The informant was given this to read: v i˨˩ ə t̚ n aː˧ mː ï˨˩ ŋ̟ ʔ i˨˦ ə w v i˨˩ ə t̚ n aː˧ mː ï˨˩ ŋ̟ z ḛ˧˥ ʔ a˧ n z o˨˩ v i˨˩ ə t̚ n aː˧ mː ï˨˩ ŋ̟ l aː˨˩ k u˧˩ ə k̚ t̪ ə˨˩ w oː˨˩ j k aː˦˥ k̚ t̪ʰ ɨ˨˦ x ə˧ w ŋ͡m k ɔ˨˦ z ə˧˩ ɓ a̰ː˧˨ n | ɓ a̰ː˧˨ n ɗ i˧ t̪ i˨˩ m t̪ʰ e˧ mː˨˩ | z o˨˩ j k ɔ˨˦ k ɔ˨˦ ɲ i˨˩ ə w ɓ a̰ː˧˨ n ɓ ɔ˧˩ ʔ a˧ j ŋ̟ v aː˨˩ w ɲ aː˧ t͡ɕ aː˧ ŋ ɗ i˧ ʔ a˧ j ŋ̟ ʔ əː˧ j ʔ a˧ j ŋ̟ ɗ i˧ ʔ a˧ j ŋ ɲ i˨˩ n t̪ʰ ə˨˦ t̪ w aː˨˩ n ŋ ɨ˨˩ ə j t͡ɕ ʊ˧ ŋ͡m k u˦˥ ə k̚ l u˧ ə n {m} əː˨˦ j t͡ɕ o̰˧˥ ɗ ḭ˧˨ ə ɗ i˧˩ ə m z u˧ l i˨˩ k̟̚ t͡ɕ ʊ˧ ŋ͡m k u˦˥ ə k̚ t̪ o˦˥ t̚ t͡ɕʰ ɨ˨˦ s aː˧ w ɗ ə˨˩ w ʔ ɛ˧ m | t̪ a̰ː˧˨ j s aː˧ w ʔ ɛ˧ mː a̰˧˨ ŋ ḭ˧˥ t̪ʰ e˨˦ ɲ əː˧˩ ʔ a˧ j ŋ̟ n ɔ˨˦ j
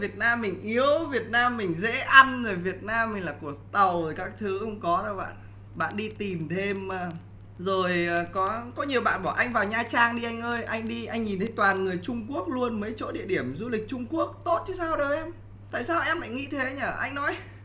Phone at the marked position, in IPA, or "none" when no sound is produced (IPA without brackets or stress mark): m